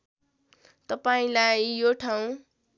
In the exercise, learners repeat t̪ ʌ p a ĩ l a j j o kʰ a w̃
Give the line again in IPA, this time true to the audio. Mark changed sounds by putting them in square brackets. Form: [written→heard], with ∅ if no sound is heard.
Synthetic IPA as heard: t̪ ʌ p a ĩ l a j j o [kʰ→ʈʰ] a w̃